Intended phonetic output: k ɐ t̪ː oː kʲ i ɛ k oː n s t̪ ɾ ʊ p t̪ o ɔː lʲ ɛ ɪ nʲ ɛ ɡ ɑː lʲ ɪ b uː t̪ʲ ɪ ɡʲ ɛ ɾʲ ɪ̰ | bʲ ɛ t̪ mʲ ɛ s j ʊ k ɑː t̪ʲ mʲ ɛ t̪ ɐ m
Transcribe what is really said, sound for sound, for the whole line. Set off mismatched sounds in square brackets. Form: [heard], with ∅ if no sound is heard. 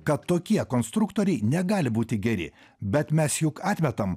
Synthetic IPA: k ɐ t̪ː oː kʲ i ɛ k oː n s t̪ ɾ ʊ [k] t̪ o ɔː [ɾʲ] ɛ ɪ nʲ ɛ ɡ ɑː lʲ ɪ b uː t̪ʲ ɪ ɡʲ ɛ ɾʲ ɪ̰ | bʲ ɛ t̪ mʲ ɛ s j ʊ k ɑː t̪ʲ mʲ ɛ t̪ ɐ m